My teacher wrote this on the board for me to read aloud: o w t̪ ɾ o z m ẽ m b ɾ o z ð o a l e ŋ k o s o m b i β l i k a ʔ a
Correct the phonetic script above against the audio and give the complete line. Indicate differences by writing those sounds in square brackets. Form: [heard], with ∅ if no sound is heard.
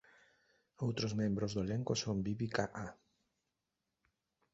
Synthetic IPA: o w t̪ ɾ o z m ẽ m b ɾ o z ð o [e] l e ŋ k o s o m b i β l i k a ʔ a

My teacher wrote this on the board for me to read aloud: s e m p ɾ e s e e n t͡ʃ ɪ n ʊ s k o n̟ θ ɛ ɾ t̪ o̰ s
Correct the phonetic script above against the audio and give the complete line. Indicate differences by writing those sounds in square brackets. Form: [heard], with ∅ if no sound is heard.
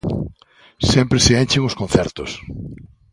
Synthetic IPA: s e m p ɾ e s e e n t͡ʃ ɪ [ŋ] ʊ s k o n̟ θ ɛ ɾ t̪ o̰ s

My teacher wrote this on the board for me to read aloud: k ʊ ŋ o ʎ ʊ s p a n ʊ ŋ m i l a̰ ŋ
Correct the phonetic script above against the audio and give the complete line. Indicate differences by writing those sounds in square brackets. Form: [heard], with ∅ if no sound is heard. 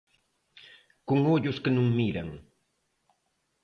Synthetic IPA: k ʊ ŋ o ʎ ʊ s [k] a n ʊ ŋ m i [ɾ] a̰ ŋ

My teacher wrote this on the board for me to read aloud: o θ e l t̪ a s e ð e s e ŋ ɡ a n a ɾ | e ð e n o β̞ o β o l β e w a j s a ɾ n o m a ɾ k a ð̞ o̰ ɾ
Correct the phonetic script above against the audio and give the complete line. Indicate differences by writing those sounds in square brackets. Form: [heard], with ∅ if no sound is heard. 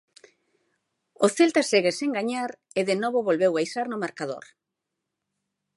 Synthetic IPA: o θ e l t̪ a s e [ɣ] e s e ŋ ɡ a [ɲ] a ɾ | e ð e n o β̞ o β o l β e w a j s a ɾ n o m a ɾ k a ð̞ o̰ ɾ

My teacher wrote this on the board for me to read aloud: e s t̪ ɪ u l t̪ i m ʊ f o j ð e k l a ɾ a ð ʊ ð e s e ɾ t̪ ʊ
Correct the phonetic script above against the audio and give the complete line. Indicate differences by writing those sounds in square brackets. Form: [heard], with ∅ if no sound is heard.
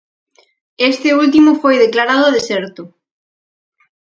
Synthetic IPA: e s t̪ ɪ u l t̪ i m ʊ f o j ð e k l a ɾ a ð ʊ ð e s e ɾ t̪ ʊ

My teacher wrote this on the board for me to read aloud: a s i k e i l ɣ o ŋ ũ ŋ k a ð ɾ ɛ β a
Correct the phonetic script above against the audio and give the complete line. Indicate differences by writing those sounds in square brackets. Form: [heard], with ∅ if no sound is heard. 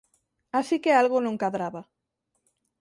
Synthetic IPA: a s i k e [a] l ɣ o [n] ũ ŋ k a ð ɾ [a] β a

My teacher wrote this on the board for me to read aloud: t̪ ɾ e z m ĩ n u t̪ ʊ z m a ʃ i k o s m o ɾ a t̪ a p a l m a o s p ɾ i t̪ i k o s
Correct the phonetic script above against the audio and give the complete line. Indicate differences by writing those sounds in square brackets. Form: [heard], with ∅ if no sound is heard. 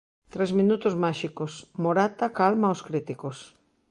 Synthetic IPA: t̪ ɾ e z m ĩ n u t̪ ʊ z m a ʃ i k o s m o ɾ a t̪ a [k] a l m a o s [k] ɾ i t̪ i k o s

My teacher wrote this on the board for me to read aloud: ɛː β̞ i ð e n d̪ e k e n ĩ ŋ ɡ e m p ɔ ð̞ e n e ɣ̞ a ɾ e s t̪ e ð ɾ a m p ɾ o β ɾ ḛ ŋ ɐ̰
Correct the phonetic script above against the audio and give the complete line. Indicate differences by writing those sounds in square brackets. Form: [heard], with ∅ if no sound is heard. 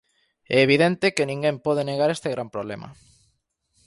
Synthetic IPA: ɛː β̞ i ð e n [t̪] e k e n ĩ ŋ ɡ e m p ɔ ð̞ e n e ɣ̞ a ɾ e s t̪ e [ɣ] ɾ a m p ɾ o β [l] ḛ [m] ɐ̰

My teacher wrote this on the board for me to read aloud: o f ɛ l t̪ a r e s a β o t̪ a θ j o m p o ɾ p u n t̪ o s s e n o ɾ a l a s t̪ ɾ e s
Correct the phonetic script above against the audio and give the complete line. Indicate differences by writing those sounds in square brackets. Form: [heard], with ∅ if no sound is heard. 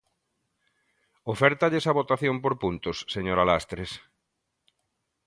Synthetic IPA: o f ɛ [ɾ] t̪ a [ʎ] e s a β o t̪ a θ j o m p o ɾ p u n t̪ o s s e [ɲ] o ɾ a l a s t̪ ɾ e s

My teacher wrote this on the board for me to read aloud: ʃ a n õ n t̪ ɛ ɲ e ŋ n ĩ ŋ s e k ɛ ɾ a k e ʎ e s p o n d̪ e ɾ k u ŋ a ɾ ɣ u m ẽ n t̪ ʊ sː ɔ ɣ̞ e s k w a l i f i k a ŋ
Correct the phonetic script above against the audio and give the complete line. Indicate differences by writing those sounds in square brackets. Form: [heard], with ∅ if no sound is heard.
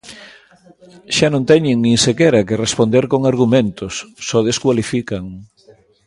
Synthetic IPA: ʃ a n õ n t̪ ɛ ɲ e ŋ n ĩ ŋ s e k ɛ ɾ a k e [r] e s p o n d̪ e ɾ k [o] ŋ a ɾ ɣ u m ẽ n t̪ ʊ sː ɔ [ð̞] e s k w a l i f i k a ŋ

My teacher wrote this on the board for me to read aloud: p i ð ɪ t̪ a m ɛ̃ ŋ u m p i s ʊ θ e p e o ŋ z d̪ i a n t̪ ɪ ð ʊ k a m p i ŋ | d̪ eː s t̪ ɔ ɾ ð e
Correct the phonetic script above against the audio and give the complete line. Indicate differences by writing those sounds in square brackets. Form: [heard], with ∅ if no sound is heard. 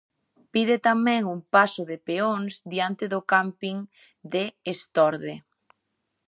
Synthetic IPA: p i ð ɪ t̪ a m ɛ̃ ŋ u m p [a] s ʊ [ð] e p e o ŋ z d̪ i a n t̪ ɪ ð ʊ k a m p i ŋ | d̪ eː s t̪ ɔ ɾ ð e

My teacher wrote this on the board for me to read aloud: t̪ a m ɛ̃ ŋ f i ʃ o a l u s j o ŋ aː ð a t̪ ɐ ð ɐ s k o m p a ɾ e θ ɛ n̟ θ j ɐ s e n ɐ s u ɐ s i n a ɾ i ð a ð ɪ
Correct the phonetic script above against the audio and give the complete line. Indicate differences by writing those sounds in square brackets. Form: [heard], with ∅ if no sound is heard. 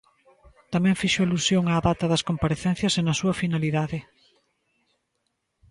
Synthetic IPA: t̪ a m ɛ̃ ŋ f i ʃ o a l u s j o ŋ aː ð a t̪ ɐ ð ɐ s k o m p a ɾ e θ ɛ n̟ θ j ɐ s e n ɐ s u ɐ [f] i n a [l] i ð a ð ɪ

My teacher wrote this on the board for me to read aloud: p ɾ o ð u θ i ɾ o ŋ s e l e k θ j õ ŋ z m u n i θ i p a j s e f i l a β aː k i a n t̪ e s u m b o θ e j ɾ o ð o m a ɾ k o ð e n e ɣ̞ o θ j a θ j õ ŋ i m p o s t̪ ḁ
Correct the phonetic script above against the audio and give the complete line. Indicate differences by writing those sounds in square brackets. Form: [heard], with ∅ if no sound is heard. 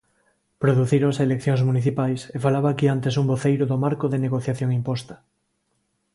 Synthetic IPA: p ɾ o ð u θ i ɾ o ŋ s e l e k θ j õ ŋ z m u n i θ i p a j s e f [a] l a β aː k i a n t̪ e s u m b o θ e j ɾ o ð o m a ɾ k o ð e n e ɣ̞ o θ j a θ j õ ŋ i m p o s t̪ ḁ

